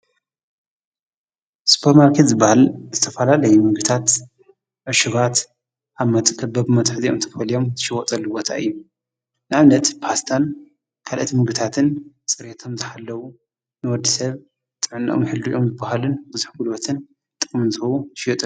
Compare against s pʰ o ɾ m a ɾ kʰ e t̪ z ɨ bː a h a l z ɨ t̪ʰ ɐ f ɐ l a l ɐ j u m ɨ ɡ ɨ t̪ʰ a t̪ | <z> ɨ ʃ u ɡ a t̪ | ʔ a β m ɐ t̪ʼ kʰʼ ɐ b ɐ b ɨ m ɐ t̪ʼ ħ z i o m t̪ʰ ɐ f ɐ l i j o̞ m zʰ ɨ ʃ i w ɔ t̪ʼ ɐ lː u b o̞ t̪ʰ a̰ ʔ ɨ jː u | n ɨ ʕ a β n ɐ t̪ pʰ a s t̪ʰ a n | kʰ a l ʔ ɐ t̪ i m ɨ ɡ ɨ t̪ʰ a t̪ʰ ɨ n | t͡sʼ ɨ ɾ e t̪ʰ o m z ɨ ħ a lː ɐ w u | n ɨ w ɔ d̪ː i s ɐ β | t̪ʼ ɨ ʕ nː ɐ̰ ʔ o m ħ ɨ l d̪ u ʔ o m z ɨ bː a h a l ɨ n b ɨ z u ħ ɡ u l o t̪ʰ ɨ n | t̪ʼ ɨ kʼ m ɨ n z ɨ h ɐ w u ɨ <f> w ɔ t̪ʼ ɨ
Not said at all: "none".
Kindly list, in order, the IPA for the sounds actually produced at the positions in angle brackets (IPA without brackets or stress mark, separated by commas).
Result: ʕ, ʃ